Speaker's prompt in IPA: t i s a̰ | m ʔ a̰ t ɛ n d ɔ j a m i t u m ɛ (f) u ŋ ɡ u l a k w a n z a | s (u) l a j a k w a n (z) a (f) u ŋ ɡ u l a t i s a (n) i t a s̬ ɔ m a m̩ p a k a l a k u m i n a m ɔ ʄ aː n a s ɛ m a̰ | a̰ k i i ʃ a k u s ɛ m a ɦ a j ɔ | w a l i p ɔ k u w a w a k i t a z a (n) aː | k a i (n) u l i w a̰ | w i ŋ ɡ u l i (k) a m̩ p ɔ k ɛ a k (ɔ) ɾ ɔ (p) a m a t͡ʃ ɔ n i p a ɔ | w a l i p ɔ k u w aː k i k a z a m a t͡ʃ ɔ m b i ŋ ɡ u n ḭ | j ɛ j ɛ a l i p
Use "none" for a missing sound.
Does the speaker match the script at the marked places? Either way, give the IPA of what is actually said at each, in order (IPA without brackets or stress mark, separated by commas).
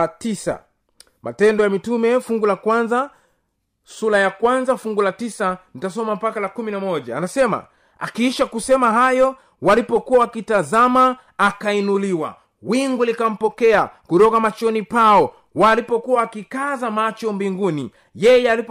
f, u, z, f, n, m, n, k, u, k